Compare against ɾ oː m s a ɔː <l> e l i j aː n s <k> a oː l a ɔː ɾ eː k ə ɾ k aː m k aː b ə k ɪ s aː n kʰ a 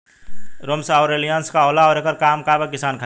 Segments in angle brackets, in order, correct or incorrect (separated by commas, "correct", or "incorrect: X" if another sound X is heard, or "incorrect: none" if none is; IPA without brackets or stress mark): incorrect: ɾ, correct